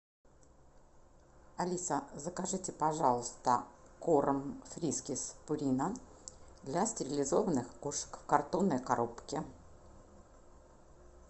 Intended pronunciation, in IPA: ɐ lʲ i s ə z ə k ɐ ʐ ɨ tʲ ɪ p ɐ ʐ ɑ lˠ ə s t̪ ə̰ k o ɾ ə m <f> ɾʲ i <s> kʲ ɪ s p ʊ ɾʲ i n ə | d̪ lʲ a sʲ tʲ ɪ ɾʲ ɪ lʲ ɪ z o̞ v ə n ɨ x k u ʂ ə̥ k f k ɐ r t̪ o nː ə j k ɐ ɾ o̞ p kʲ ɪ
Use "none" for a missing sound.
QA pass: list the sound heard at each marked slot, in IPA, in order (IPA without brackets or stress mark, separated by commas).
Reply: f, s